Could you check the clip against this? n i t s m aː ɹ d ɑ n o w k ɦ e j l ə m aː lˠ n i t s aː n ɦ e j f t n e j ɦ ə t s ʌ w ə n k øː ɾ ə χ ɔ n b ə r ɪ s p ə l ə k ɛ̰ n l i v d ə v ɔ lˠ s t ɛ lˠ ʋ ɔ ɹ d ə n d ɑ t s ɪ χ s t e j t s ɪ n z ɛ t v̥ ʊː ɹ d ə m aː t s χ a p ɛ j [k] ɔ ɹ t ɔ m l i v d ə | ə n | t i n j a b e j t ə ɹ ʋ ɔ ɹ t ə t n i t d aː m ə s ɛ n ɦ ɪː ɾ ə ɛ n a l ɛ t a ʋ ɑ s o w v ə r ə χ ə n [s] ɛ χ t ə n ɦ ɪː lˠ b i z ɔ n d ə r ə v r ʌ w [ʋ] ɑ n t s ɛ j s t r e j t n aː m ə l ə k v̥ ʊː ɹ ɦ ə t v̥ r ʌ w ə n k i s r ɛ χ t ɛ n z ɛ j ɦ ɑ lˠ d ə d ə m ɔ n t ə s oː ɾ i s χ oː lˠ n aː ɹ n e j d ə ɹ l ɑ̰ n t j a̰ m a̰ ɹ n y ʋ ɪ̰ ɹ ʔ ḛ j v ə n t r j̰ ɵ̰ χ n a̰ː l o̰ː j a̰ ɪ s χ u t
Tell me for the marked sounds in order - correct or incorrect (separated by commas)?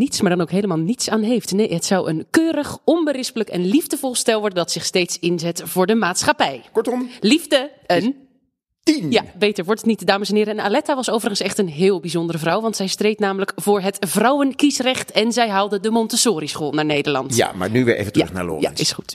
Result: correct, correct, correct